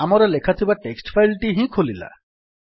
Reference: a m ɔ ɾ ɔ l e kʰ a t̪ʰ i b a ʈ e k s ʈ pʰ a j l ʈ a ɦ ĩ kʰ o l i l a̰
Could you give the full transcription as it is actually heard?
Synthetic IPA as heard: a m ɔ ɾ ɔ l e kʰ a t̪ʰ i b a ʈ e k s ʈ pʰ a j l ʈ i ɦ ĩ kʰ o l i l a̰